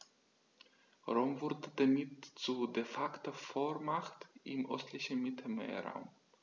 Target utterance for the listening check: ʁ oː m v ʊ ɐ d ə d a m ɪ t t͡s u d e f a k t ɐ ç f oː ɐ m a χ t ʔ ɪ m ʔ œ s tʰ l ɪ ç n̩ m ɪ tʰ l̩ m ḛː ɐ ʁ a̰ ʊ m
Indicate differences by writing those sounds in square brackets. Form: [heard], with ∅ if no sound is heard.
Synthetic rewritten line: ʁ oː m v ʊ ɐ d ə d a m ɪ t t͡s u d e f a k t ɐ [∅] f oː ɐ m a χ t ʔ ɪ m ʔ œ s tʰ l ɪ ç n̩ m ɪ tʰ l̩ m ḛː ɐ ʁ a̰ ʊ m

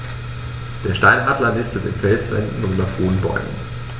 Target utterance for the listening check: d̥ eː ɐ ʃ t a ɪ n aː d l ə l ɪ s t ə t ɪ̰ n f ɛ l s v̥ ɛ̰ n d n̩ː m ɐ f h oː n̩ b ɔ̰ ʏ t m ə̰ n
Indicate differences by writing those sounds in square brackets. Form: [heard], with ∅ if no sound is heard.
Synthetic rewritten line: d̥ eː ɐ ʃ t a ɪ n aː d l [ɐ] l ɪ s t ə t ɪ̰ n f ɛ l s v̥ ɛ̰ n d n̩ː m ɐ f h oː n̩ b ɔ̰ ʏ [∅] m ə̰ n

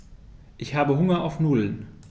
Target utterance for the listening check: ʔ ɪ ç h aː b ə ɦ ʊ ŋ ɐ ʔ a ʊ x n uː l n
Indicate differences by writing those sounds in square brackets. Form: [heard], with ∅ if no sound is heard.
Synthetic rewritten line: ʔ ɪ ç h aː b ə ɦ ʊ ŋ ɐ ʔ a ʊ [f] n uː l n

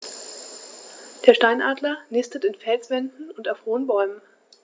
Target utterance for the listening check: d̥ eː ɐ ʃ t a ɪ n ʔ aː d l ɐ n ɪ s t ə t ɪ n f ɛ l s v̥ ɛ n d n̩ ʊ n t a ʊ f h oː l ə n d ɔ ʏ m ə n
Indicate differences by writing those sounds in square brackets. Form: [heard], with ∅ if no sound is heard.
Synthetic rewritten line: d̥ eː ɐ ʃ t a ɪ n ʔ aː d l ɐ n ɪ s t ə t ɪ n f ɛ l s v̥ ɛ n d n̩ ʊ n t a ʊ f h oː [∅] ə n [b] ɔ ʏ m ə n

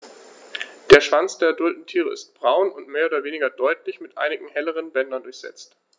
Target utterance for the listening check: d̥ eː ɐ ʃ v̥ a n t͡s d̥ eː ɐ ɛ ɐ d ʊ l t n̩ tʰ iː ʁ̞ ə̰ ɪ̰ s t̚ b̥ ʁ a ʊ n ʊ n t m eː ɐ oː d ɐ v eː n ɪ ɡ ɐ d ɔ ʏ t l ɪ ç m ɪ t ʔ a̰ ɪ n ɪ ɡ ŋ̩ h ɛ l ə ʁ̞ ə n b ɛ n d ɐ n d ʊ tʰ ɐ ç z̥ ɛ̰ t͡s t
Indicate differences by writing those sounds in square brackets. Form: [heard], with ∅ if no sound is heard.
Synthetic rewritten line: d̥ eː ɐ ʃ v̥ a n t͡s d̥ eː ɐ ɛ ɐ d ʊ l t n̩ tʰ iː ʁ̞ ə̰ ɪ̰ s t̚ b̥ ʁ a ʊ n ʊ n t m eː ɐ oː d ɐ v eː n ɪ ɡ ɐ d ɔ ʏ t l ɪ ç m ɪ t ʔ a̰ ɪ n ɪ ɡ ŋ̩ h ɛ l ə ʁ̞ ə n b ɛ n d ɐ n d ʊ [∅] ɐ ç z̥ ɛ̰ t͡s t

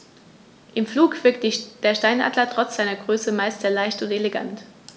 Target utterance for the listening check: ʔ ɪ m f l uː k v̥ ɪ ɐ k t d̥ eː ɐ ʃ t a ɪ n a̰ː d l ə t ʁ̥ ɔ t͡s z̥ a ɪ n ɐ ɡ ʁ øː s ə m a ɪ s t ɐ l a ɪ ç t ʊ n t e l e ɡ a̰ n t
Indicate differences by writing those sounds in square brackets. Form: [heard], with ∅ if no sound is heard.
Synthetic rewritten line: ʔ ɪ m f l uː k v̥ ɪ ɐ k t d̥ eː ɐ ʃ t a ɪ n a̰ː d l [ɐ] t ʁ̥ ɔ t͡s z̥ a ɪ n ɐ ɡ ʁ øː s ə m a ɪ s t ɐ l a ɪ ç t ʊ n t e l e ɡ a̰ n t

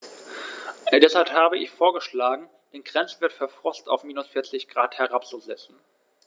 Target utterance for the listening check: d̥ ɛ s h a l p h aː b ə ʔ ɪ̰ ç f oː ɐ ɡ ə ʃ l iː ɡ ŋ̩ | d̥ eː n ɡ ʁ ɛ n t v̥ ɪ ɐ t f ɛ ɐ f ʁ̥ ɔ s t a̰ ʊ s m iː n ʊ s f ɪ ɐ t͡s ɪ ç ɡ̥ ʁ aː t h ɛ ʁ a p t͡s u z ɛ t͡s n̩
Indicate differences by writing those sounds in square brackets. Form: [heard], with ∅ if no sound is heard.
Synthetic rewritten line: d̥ ɛ s h a l p h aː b ə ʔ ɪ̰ ç f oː ɐ ɡ ə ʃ l [aː] ɡ ŋ̩ | d̥ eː n ɡ ʁ ɛ n [t͡s] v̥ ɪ ɐ t f ɛ ɐ f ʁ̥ ɔ s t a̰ ʊ [f] m iː n ʊ s f ɪ ɐ t͡s ɪ ç ɡ̥ ʁ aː t h ɛ ʁ a p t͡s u z ɛ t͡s n̩

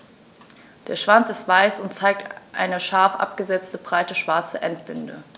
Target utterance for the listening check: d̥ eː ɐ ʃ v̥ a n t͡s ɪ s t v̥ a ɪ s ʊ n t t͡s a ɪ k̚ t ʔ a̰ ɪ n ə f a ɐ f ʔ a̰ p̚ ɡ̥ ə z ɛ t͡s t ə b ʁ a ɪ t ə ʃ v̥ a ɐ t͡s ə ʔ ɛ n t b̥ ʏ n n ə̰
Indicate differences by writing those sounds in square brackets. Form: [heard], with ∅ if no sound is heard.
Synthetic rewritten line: d̥ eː ɐ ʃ v̥ a n t͡s ɪ s t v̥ a ɪ s ʊ n t t͡s a ɪ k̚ t ʔ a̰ ɪ n ə [ʃ] a ɐ f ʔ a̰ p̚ ɡ̥ ə z ɛ t͡s t ə b ʁ a ɪ t ə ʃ v̥ a ɐ t͡s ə ʔ ɛ n t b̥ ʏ n [d] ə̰

